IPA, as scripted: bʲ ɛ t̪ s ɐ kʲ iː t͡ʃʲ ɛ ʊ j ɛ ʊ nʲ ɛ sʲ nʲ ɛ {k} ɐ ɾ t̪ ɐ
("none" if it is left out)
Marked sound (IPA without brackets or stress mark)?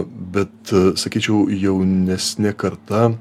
k